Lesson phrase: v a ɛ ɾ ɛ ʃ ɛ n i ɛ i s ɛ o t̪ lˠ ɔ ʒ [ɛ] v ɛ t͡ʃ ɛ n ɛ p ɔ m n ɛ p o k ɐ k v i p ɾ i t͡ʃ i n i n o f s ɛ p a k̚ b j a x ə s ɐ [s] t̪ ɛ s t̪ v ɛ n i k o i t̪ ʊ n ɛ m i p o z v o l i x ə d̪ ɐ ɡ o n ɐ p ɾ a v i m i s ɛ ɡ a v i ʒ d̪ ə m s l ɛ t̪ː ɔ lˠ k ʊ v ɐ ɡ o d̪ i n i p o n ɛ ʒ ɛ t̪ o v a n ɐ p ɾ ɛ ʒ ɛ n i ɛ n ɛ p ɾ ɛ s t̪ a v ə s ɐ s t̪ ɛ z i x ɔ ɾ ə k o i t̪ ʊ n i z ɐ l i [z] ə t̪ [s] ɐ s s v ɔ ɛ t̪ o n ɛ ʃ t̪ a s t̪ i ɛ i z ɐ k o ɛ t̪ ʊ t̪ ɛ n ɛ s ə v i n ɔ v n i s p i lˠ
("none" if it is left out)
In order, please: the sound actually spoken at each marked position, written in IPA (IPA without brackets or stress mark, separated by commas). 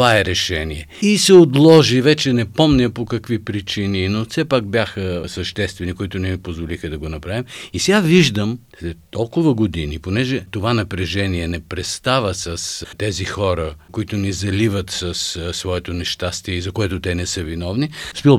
i, ʃ, v, s